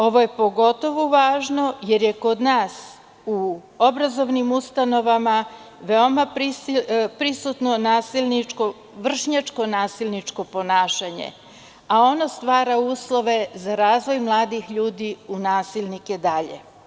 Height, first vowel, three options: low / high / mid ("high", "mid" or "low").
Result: mid